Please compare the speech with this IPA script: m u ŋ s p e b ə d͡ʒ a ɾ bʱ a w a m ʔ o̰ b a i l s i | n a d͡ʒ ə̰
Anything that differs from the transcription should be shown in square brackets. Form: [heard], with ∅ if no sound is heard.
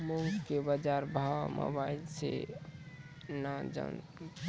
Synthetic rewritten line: m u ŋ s [k] e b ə d͡ʒ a ɾ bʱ a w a m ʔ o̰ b a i l s [e] | n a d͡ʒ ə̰

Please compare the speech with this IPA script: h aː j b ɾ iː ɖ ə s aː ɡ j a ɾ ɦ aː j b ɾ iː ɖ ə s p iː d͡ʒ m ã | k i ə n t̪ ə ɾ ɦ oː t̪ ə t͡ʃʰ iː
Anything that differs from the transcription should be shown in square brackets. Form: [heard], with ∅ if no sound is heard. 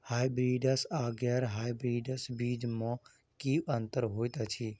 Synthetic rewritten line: h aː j b ɾ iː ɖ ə s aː ɡ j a ɾ ɦ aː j b ɾ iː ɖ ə s [b] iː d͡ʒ m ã | k i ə n t̪ ə ɾ ɦ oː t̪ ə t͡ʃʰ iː

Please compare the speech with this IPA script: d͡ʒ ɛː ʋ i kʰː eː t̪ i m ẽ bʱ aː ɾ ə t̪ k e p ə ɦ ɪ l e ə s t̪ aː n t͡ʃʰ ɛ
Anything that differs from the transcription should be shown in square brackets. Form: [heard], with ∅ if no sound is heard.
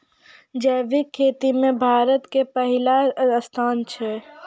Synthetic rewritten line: d͡ʒ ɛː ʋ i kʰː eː t̪ i m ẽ bʱ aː ɾ ə t̪ k e p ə ɦ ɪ l [a] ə s [t̪ʰ] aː n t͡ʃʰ ɛ

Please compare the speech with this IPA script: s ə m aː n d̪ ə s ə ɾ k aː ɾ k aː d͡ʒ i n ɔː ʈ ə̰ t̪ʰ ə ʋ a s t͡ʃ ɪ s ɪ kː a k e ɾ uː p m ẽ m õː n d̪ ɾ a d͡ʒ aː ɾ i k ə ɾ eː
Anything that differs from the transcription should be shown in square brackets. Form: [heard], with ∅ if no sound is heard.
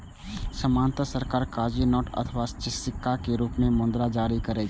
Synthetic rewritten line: s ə m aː n [t̪] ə s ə ɾ k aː ɾ k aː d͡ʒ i n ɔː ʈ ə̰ t̪ʰ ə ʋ a s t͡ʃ ɪ s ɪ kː a k e ɾ uː p m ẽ m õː n d̪ ɾ a d͡ʒ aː ɾ i k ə ɾ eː

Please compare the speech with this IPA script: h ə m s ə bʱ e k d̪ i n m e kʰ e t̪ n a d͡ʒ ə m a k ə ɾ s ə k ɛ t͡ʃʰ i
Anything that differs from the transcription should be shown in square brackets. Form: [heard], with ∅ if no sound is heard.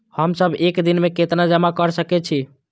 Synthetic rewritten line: h ə m s ə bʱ e k d̪ i n m e [k] e t̪ n a d͡ʒ ə m a k ə ɾ s ə k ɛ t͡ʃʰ i

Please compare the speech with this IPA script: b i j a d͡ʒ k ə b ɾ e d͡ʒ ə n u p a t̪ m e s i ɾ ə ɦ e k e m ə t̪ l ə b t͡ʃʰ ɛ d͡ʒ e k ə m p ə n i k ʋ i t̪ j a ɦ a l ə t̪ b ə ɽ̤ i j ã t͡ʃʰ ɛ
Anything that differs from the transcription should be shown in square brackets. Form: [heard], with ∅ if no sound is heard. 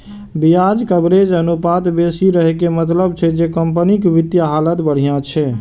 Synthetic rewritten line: b i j a d͡ʒ k ə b ɾ e d͡ʒ ə n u p a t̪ [b] e s i ɾ ə ɦ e k e m ə t̪ l ə b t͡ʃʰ ɛ d͡ʒ e k ə m p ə n i k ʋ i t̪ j a ɦ a l ə t̪ b ə ɽ̤ i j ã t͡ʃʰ ɛ

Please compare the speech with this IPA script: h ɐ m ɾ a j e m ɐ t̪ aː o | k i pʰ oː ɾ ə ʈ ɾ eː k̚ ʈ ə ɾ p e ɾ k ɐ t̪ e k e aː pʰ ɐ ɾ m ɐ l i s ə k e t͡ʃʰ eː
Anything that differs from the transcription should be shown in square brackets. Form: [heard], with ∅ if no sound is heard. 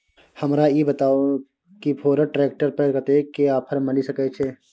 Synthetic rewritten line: h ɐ m ɾ a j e [b] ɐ t̪ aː o | k i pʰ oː ɾ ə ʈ ɾ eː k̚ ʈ ə ɾ p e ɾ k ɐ t̪ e k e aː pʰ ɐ ɾ m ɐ l i s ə k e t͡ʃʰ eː

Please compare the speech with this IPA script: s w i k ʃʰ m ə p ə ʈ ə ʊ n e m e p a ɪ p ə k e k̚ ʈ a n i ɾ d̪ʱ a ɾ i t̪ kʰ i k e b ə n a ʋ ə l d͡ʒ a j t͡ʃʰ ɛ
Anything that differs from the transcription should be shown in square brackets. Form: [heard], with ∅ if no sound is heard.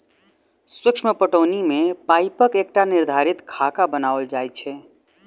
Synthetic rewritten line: s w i k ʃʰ m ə p ə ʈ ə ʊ n [i] m e p a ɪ p ə k e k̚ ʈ a n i ɾ d̪ʱ a ɾ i t̪ kʰ [a] k [a] b ə n a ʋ ə l d͡ʒ a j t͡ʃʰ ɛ

